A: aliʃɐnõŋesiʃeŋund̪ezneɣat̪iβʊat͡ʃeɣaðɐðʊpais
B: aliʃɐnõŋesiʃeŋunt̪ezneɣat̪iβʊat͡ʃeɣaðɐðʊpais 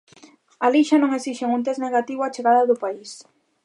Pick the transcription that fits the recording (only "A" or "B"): B